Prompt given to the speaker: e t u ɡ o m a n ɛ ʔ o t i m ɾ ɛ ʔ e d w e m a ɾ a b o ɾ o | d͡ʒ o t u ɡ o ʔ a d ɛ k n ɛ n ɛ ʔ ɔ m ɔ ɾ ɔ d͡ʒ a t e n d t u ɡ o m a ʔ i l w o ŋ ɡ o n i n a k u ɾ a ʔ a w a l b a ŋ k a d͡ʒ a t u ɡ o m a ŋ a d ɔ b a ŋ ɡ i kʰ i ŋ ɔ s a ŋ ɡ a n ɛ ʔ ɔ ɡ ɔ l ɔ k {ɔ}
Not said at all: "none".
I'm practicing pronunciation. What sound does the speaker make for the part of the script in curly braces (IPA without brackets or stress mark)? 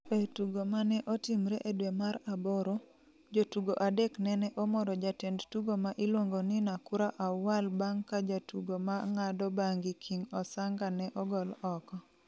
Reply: ɔ